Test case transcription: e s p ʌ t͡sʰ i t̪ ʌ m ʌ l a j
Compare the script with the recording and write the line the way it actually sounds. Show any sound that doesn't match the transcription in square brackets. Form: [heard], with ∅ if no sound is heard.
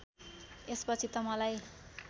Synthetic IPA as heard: e s p ʌ t͡sʰ i t̪ ʌ m ʌ l a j